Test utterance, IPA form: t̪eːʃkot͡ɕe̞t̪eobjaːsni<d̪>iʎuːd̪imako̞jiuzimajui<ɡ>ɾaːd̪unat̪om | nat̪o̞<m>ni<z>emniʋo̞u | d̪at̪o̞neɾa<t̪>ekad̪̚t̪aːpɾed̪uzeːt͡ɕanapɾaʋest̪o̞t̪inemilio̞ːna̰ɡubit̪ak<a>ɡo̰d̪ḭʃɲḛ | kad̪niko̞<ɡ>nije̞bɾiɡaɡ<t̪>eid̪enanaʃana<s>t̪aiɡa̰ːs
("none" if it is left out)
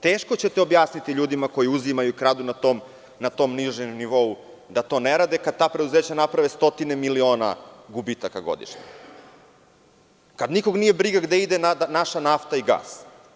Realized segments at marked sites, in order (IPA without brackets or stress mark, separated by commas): t̪, k, m, ʒ, d̪, a, ɡ, d̪, f